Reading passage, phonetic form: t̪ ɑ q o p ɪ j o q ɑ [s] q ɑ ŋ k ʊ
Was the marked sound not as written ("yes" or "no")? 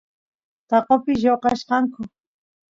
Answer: yes